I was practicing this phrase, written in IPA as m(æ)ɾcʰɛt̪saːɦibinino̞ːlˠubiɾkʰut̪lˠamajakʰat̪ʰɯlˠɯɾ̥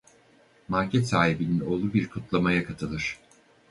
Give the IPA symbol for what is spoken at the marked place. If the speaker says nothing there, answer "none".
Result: a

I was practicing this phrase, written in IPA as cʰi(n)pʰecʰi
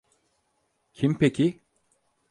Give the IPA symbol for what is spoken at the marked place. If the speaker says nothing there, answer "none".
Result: m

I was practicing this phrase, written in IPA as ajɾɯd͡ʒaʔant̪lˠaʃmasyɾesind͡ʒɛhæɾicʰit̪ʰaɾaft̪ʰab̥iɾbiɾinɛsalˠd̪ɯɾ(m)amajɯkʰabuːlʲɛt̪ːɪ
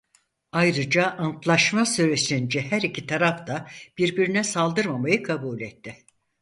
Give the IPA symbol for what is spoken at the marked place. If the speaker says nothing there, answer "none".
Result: m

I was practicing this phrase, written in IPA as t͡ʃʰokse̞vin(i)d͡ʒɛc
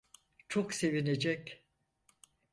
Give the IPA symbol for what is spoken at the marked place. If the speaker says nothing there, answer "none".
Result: e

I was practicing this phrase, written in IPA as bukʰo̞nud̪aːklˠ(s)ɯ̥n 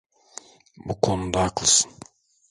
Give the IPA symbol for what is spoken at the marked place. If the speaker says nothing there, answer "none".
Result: s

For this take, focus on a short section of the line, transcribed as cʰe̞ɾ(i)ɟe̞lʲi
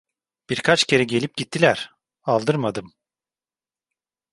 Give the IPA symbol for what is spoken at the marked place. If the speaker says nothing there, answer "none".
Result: ɛ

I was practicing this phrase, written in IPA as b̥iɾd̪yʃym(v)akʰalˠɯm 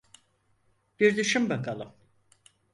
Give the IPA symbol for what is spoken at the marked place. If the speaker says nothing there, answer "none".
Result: b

